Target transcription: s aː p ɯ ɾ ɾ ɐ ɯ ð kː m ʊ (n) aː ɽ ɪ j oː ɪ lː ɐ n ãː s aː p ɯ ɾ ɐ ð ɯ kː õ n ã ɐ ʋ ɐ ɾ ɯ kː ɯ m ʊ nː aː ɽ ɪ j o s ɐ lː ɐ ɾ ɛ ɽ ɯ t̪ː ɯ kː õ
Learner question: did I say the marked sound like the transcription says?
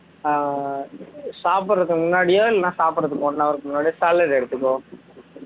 no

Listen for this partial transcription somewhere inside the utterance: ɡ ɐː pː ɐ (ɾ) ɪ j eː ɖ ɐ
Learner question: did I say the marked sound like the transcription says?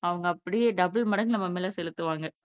no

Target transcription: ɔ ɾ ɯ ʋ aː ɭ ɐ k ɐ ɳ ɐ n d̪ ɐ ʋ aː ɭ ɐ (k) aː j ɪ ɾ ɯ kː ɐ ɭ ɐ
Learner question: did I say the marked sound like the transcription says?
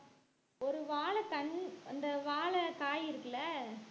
yes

